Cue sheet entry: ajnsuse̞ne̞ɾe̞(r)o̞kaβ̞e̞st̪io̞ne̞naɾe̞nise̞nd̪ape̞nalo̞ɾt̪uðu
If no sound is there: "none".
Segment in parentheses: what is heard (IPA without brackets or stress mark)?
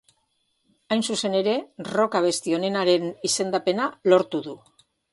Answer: r